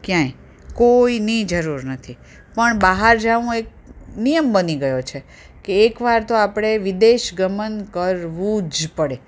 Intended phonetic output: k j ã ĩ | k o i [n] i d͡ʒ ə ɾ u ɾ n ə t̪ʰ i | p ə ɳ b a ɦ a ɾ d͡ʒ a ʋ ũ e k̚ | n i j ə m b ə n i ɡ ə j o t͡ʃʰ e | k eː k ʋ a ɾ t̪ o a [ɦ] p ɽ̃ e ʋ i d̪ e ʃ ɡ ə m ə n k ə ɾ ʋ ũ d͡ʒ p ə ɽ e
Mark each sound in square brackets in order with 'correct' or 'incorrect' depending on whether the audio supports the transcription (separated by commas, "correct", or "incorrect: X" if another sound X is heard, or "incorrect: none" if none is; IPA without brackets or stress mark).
correct, incorrect: none